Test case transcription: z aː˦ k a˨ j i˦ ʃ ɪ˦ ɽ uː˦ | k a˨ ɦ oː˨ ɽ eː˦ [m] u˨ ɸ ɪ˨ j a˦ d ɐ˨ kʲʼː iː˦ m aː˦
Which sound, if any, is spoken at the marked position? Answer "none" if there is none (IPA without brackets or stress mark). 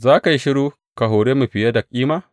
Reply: m